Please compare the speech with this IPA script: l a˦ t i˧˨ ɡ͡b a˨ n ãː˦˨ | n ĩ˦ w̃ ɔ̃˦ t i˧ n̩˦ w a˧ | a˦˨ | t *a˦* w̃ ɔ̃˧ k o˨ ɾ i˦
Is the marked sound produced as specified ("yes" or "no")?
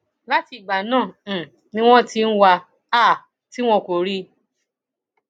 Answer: no